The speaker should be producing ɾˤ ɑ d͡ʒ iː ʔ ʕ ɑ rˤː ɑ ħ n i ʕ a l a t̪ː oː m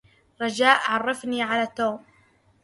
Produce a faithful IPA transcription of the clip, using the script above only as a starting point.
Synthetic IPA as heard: ɾˤ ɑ d͡ʒ aː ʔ ʕ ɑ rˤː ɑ f n i ʕ a l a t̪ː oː m